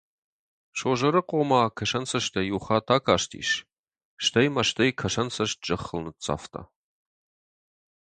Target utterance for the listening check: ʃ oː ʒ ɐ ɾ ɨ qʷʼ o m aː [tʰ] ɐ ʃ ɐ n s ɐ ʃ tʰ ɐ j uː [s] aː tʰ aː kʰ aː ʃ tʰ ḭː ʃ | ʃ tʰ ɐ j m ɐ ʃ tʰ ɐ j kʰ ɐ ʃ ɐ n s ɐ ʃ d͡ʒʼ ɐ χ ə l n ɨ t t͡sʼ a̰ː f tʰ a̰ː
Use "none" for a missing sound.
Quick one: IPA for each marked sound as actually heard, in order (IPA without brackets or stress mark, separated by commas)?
kʰ, χ